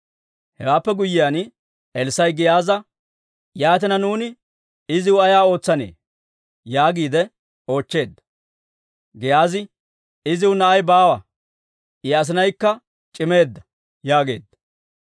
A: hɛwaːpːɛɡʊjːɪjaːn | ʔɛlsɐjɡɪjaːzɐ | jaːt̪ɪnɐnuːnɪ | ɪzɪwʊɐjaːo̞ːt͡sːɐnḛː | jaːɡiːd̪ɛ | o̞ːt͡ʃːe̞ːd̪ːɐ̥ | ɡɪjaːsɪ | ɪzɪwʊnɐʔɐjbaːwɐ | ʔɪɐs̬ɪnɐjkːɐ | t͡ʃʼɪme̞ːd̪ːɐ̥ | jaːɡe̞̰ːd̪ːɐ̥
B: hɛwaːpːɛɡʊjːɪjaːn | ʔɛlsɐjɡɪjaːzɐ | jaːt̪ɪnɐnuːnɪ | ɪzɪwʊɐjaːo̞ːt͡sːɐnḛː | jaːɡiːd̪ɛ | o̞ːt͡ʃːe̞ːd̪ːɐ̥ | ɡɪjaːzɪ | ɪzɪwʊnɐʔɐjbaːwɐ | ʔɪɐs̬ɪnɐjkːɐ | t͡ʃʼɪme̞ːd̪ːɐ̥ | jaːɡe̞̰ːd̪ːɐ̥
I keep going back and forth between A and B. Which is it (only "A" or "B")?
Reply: B